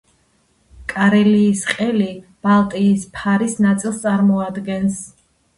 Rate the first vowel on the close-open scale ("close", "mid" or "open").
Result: open